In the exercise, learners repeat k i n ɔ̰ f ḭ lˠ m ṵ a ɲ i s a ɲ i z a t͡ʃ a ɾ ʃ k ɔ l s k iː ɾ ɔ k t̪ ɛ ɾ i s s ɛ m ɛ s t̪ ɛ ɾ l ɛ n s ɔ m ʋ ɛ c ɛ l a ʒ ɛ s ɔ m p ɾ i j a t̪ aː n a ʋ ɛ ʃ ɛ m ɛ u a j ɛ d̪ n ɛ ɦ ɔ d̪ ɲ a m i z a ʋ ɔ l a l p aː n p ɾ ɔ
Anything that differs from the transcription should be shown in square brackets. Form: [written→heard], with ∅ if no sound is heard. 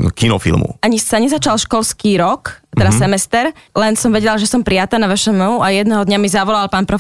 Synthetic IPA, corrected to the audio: k i n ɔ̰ f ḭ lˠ m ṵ a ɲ i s a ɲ [i→ɛ] z a t͡ʃ a [ɾ→l] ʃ k ɔ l s k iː ɾ ɔ k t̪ ɛ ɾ [i→a] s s ɛ m ɛ s t̪ ɛ ɾ l ɛ n s ɔ m ʋ ɛ [c→ɟ] ɛ l a ʒ ɛ s ɔ m p ɾ i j a t̪ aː n a ʋ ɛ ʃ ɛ m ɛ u a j ɛ d̪ n ɛ ɦ ɔ d̪ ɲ a m i z a ʋ ɔ l a l p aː n p ɾ ɔ